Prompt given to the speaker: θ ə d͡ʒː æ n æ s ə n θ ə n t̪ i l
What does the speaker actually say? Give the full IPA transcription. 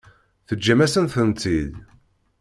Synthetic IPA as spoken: θ ə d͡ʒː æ m æ s ə n θ ə n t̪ i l

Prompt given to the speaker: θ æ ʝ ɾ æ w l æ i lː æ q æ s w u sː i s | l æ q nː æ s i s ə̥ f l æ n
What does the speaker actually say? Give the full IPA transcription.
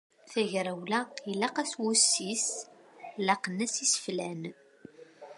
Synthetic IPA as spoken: θ æ ʝ ɾ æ w l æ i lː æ q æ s w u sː i s | l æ q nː æ s i s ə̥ f l æ n

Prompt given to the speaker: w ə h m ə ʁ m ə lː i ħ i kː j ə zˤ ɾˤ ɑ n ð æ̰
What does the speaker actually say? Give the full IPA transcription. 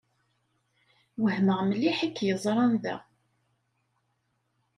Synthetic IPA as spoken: w ə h m ə ʁ m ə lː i ħ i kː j ə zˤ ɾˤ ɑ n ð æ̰

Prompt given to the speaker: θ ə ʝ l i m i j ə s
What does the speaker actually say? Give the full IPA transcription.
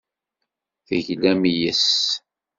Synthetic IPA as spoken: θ ə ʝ l æ m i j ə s

